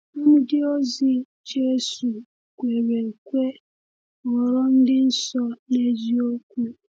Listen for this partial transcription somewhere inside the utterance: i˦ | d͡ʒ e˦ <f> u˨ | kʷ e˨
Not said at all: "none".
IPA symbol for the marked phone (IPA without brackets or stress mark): s